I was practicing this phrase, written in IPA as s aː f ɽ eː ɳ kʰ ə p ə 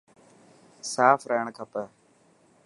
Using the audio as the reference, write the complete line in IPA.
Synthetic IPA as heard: s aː f ɾ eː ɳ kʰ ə p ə